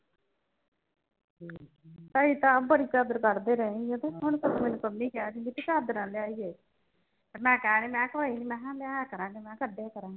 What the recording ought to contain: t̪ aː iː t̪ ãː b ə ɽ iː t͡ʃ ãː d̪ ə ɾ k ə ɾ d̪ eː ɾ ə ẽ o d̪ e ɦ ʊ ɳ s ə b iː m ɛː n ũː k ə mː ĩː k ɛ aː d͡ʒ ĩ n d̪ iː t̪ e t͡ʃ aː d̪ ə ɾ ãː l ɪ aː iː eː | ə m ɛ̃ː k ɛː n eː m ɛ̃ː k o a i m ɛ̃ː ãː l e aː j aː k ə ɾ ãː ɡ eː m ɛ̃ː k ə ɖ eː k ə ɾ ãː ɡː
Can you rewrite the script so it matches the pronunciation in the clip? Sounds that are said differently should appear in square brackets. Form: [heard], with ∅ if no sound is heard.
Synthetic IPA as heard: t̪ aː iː t̪ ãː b ə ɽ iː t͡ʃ [aː] d̪ ə ɾ k ə ɾ d̪ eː ɾ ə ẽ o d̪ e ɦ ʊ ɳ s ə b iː m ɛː n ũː k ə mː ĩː k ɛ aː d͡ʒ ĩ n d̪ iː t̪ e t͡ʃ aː d̪ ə ɾ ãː l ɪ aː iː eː | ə m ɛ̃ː k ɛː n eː m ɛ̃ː k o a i m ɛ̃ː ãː l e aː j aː k ə ɾ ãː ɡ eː m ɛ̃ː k ə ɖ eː k ə ɾ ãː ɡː